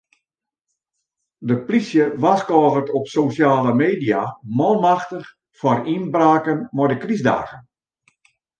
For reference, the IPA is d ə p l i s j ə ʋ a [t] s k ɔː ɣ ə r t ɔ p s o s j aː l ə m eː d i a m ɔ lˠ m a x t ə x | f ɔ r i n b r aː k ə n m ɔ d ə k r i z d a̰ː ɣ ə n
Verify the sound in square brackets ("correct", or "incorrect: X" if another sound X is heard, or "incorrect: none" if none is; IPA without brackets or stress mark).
incorrect: none